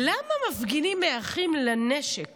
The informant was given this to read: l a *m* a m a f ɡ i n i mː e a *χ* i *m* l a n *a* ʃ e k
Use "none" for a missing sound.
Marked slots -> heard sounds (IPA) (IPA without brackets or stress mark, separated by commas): m, χ, m, e